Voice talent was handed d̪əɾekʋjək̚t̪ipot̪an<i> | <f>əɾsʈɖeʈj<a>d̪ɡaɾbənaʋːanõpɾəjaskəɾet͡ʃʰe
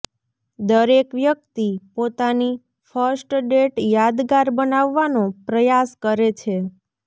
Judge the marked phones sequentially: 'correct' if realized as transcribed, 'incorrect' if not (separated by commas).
correct, correct, correct